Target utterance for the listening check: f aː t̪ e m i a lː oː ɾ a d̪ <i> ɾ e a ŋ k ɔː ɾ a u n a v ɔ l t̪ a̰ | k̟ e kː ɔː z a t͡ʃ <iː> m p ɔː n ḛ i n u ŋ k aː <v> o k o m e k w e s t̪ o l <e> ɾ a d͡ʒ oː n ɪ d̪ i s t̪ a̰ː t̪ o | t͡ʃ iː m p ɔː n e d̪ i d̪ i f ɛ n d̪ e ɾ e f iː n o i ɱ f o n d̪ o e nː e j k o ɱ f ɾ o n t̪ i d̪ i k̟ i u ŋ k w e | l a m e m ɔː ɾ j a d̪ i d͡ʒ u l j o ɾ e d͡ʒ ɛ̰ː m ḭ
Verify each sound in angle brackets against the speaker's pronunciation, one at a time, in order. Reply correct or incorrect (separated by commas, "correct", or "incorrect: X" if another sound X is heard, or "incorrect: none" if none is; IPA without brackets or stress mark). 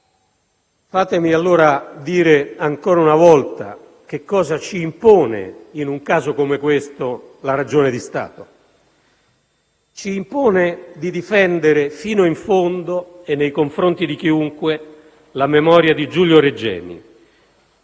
incorrect: iː, correct, incorrect: z, incorrect: a